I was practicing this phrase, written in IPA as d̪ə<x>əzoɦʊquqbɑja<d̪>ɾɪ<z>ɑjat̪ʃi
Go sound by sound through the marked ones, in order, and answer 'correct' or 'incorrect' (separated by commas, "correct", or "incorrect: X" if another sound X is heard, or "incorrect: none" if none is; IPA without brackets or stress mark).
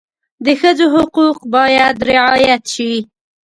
correct, correct, incorrect: ʕ